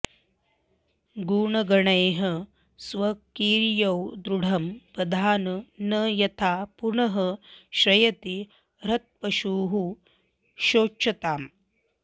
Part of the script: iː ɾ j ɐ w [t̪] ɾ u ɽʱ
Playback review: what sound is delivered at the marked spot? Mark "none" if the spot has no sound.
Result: d̪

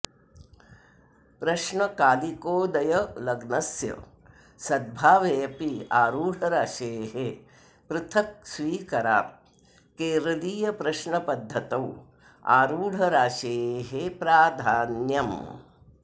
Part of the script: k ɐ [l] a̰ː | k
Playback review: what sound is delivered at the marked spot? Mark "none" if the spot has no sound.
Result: ɾ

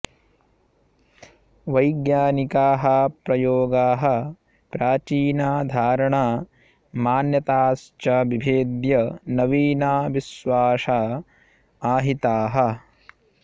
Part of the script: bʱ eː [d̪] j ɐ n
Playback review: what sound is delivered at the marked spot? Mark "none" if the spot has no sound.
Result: d̪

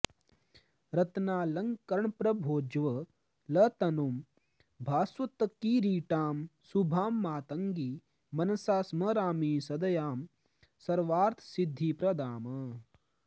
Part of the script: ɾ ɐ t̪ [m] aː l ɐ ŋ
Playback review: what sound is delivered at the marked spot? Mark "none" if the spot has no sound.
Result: n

